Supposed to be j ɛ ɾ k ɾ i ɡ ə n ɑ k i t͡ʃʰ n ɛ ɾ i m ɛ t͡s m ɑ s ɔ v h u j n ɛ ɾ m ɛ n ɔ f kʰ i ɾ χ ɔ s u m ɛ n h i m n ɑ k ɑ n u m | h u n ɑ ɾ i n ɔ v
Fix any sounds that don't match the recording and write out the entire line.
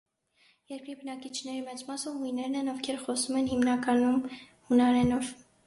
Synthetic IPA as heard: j ɛ ɾ k ɾ i b ə n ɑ k i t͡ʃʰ n ɛ ɾ i m ɛ t͡s m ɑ s ɔ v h u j n ɛ ɾ n ɛ n ɔ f kʰ ɛ ɾ χ ɔ s u m ɛ n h i m n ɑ k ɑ n u m | h u n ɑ ɾ ɛ n ɔ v